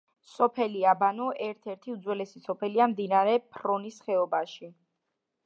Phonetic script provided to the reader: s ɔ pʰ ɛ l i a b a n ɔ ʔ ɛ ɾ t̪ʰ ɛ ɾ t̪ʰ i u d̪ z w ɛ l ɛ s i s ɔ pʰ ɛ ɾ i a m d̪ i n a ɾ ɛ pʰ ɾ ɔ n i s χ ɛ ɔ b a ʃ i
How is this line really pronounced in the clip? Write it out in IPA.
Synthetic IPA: s ɔ pʰ ɛ l i a b a n ɔ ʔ ɛ ɾ t̪ʰ ɛ ɾ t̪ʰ i u d̪ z w ɛ l ɛ s i s ɔ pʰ ɛ l i a m d̪ i n a ɾ ɛ pʰ ɾ ɔ n i s χ ɛ ɔ b a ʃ i